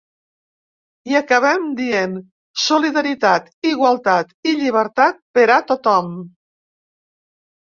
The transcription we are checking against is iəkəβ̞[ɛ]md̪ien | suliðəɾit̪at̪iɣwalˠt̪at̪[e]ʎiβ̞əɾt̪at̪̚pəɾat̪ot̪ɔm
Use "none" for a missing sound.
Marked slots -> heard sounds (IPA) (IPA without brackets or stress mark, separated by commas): ɛ, i